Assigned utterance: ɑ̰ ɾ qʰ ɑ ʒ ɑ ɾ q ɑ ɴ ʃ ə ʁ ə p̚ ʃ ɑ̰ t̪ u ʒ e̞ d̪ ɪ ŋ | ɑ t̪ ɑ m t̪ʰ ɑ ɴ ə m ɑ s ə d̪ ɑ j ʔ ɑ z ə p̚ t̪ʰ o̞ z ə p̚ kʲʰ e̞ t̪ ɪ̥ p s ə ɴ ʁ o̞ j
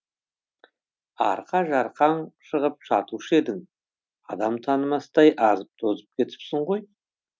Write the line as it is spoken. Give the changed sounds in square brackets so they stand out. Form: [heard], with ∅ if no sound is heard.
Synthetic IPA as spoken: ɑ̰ ɾ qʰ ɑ ʒ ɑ ɾ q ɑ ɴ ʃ ə ʁ ə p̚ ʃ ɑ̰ t̪ u [ʃ] e̞ d̪ ɪ ŋ | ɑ [d̪] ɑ m t̪ʰ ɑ [n] ə m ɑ s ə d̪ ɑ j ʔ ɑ z ə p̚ t̪ʰ o̞ z ə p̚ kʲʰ e̞ t̪ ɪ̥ p s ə ɴ ʁ o̞ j

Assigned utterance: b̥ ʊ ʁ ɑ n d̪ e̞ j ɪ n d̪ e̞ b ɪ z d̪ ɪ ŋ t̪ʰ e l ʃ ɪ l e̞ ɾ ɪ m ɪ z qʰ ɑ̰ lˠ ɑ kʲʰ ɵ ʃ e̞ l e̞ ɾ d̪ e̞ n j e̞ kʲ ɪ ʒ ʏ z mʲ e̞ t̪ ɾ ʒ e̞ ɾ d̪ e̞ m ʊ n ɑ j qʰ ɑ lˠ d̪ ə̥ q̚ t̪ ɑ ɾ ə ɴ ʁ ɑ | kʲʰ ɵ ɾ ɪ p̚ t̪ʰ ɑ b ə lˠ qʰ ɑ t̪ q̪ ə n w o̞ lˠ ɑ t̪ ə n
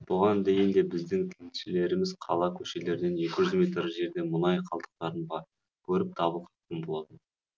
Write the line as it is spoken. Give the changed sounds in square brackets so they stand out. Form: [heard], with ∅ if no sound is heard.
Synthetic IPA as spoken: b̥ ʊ ʁ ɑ n d̪ e̞ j ɪ n d̪ e̞ b ɪ z d̪ ɪ ŋ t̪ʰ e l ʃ ɪ l e̞ ɾ ɪ m ɪ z qʰ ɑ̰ lˠ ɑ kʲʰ ɵ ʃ e̞ l e̞ ɾ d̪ e̞ n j e̞ kʲ ɪ ʒ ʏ z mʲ e̞ t̪ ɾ ʒ e̞ ɾ d̪ e̞ m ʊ n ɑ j qʰ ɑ lˠ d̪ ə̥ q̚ t̪ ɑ ɾ ə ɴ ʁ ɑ | kʲʰ ɵ ɾ ɪ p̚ t̪ʰ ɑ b ə lˠ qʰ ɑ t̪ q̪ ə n [b] o̞ lˠ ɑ t̪ ə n

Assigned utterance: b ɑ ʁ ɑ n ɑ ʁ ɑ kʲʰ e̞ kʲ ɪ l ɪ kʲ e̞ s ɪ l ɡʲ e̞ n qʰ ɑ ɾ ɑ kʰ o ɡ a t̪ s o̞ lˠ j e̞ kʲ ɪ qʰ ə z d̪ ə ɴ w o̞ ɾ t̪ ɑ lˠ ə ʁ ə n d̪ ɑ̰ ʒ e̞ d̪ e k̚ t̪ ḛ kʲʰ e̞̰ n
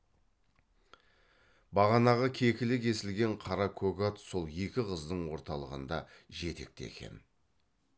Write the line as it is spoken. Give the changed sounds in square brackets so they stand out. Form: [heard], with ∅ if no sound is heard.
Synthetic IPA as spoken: b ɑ ʁ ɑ n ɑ ʁ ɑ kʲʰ e̞ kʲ ɪ l ɪ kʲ e̞ s ɪ l ɡʲ e̞ [ɴ] qʰ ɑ ɾ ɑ kʰ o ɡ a t̪ s o̞ lˠ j e̞ kʲ ɪ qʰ ə z d̪ ə ɴ w o̞ ɾ t̪ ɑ lˠ ə ʁ ə n d̪ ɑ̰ ʒ e̞ [t̪] e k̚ t̪ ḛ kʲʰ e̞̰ n

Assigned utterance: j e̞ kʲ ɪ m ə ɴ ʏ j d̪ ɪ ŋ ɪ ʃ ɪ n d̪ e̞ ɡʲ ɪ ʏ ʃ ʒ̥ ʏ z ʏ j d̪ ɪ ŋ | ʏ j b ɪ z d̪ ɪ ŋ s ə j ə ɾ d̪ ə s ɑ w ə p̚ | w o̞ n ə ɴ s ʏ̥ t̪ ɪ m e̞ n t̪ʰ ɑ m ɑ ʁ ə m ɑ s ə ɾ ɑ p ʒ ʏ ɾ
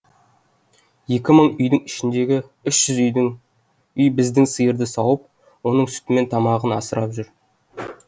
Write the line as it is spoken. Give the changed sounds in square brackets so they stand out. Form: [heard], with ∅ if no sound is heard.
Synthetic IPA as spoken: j e̞ kʲ ɪ m ə ɴ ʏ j d̪ ɪ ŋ ɪ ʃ ɪ n d̪ e̞ ɡʲ ɪ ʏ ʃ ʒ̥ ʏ z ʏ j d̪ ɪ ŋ | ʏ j b ɪ z d̪ ɪ ŋ s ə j ə ɾ d̪ ə s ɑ w ə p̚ | w o̞ n ə ɴ s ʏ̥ t̪ ɪ m e̞ n t̪ʰ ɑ m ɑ ʁ ə [n] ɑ s ə ɾ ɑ p ʒ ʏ ɾ

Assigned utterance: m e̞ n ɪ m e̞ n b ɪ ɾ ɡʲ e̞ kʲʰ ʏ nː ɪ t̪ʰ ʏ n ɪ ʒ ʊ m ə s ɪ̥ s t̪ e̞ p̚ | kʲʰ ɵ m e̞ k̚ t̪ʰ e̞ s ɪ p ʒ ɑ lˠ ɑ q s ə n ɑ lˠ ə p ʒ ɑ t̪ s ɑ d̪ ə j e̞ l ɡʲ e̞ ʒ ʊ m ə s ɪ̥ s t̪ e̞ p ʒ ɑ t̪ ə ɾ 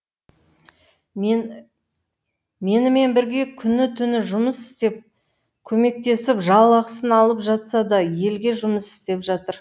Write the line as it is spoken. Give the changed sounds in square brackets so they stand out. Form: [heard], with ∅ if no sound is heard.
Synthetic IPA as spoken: m e̞ n ɪ m e̞ n b ɪ ɾ ɡʲ e̞ kʲʰ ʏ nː ɪ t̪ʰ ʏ n ɪ ʒ ʊ m ə s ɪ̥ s t̪ e̞ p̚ | kʲʰ ɵ m e̞ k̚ [t̪] e̞ s ɪ p ʒ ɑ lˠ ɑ q s ə n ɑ lˠ ə p ʒ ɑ t̪ s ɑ d̪ [ɑ] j e̞ l ɡʲ e̞ ʒ ʊ m ə s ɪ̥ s t̪ e̞ p ʒ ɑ t̪ ə ɾ

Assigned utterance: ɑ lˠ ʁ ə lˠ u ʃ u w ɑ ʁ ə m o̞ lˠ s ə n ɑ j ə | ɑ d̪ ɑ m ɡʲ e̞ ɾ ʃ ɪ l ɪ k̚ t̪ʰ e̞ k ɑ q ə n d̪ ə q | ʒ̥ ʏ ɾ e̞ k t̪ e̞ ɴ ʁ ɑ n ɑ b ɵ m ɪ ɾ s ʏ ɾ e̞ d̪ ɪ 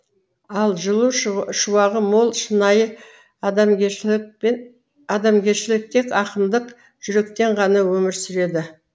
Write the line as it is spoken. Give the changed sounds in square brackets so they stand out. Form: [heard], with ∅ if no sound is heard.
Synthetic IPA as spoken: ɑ lˠ [ʒ] ə lˠ u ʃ u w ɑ ʁ ə m o̞ lˠ [ʃ] ə n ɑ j ə | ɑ d̪ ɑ m ɡʲ e̞ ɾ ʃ ɪ l ɪ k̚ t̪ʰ e̞ k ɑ q ə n d̪ ə q | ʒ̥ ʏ ɾ e̞ k t̪ e̞ ɴ ʁ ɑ n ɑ [w] ɵ m ɪ ɾ s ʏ ɾ e̞ d̪ ɪ

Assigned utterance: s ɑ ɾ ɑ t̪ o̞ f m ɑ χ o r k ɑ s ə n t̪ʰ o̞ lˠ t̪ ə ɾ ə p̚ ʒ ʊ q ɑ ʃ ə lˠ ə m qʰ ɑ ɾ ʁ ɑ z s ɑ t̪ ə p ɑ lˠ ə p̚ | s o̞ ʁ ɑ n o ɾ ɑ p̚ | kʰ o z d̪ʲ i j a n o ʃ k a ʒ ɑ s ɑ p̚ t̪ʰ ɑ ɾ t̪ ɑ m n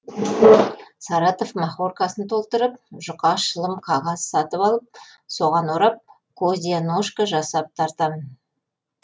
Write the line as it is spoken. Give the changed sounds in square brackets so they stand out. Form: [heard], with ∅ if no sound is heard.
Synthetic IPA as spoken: s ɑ ɾ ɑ t̪ o̞ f m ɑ χ o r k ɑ s ə n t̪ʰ o̞ lˠ t̪ ə ɾ ə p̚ ʒ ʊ q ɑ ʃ ə lˠ ə m qʰ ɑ [∅] ʁ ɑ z s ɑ t̪ ə p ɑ lˠ ə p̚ | s o̞ ʁ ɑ n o ɾ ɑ p̚ | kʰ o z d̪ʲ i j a n o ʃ k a ʒ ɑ s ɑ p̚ t̪ʰ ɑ ɾ t̪ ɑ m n

